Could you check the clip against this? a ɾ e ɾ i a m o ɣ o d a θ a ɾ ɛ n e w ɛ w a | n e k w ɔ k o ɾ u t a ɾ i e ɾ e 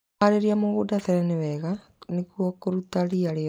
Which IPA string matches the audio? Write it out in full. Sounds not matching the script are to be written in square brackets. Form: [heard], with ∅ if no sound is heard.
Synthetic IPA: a ɾ e ɾ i a m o ɣ o d a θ [ɛ] ɾ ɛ n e w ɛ [ɣ] a | n e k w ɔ k o ɾ u t a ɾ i [a] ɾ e